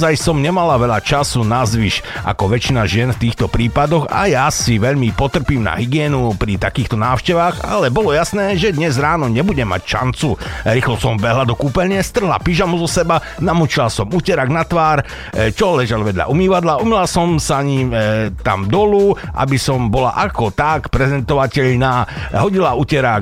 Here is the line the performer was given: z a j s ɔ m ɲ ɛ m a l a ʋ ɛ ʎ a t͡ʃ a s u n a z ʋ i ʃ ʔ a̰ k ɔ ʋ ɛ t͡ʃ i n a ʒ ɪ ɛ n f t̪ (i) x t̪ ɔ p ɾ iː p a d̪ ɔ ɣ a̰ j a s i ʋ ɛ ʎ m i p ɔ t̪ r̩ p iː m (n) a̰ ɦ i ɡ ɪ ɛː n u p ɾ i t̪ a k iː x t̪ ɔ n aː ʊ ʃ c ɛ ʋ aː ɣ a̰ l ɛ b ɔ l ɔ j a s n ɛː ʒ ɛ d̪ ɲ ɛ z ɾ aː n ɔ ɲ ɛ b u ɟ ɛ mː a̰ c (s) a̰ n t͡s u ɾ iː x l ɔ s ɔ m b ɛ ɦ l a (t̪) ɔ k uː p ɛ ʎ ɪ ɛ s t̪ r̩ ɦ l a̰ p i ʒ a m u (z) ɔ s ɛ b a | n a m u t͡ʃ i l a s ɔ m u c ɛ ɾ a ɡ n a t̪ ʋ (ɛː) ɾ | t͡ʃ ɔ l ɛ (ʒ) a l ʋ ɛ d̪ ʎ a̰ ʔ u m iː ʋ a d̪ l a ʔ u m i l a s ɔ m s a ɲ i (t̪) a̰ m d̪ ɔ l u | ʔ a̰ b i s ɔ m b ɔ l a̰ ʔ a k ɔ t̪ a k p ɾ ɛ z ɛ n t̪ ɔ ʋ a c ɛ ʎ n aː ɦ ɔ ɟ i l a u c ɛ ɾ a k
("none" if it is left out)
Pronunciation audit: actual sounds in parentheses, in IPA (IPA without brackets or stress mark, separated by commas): iː, n, ʃ, d̪, z, aː, ʒ, t̪